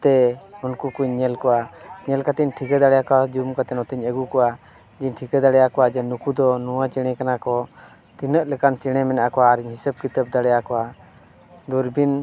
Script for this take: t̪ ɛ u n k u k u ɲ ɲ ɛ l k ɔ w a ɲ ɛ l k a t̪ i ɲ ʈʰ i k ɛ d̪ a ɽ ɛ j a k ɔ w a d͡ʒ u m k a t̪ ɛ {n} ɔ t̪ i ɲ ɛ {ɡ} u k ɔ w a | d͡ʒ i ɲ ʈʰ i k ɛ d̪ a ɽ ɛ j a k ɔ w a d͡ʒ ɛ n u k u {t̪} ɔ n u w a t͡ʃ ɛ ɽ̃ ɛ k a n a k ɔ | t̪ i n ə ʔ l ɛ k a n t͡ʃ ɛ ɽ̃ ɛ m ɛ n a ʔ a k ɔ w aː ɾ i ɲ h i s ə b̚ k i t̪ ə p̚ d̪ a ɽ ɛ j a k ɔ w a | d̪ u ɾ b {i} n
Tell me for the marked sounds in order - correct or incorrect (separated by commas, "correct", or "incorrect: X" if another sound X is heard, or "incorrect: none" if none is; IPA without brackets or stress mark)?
correct, correct, incorrect: d̪, correct